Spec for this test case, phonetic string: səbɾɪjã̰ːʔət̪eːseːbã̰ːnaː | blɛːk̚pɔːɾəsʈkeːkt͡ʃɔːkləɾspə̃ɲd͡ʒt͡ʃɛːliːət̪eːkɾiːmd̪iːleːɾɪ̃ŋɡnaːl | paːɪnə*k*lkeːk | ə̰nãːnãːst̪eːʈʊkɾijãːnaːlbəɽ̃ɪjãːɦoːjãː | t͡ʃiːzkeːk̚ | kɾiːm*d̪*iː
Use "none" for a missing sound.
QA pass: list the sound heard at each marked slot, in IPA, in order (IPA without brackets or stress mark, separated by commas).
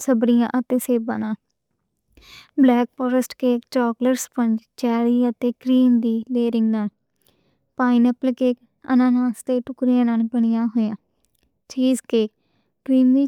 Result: p, d̪